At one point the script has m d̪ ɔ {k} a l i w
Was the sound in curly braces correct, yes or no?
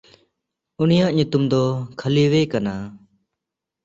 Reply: no